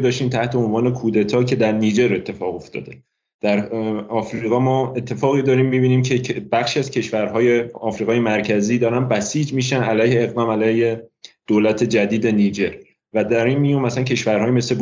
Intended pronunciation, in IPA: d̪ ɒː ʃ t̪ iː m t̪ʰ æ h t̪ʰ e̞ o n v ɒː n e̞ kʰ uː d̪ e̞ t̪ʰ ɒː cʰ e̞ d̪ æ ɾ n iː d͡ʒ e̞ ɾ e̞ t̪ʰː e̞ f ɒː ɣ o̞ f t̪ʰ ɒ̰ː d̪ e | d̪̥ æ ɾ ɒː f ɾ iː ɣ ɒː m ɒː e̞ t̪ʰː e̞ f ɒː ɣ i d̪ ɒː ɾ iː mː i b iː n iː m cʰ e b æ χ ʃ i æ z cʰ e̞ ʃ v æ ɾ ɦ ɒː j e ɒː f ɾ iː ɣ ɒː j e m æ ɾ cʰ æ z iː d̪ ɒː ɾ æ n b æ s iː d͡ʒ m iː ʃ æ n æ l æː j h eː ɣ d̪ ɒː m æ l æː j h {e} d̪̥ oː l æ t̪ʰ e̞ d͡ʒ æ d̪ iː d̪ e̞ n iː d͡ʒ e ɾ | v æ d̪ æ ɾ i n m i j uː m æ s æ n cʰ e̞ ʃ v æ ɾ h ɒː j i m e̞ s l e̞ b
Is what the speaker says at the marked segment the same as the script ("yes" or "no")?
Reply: yes